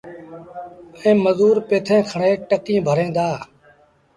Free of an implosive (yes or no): yes